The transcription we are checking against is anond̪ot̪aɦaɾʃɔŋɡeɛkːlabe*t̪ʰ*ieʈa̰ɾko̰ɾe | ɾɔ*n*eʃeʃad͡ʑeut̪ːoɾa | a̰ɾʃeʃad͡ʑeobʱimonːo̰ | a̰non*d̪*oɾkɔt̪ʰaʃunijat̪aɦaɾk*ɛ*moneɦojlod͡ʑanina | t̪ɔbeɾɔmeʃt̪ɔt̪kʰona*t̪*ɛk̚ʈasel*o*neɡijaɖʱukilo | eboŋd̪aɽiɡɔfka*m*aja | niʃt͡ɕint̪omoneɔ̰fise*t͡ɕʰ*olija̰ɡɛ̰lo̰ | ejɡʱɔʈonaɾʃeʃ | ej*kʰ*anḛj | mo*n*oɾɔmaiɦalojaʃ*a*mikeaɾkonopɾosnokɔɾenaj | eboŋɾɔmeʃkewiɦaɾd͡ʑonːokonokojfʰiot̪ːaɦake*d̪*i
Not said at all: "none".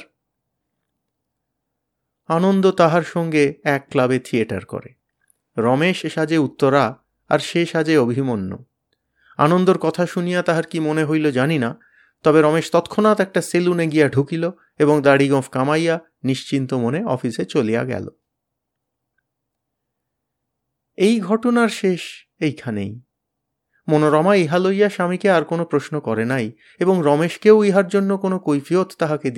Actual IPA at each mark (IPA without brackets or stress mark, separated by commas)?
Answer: t̪ʰ, m, d̪, i, t̪, u, m, t͡ɕ, kʰ, n, a, d̪